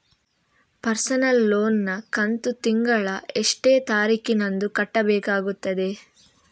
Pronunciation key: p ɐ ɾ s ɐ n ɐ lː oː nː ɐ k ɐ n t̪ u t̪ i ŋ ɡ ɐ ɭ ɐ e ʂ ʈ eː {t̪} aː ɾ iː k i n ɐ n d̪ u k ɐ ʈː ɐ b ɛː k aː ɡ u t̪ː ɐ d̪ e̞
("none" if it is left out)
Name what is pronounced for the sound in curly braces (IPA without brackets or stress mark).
t̪